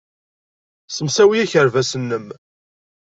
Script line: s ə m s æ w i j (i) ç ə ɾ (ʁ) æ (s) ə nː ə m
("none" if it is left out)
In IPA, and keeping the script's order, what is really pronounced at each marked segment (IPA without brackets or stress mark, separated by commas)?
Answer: æ, v, s